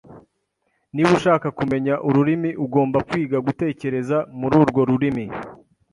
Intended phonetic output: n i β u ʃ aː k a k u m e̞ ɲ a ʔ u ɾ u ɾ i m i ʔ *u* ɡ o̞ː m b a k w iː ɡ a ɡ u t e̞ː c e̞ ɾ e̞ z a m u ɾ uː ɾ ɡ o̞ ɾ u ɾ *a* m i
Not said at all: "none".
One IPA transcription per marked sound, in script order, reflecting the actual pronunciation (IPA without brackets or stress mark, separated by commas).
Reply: u, i